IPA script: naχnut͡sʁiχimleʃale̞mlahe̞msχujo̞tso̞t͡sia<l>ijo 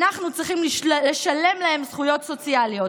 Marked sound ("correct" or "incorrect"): correct